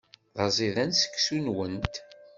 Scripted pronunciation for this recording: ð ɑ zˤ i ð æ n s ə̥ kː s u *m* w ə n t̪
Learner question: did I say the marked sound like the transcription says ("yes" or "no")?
no